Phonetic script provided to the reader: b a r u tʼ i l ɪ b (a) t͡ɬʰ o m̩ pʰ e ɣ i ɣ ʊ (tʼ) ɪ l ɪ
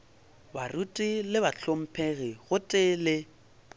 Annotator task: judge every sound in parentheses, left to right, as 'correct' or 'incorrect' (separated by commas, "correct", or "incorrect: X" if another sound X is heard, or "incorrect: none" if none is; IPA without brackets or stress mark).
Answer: correct, correct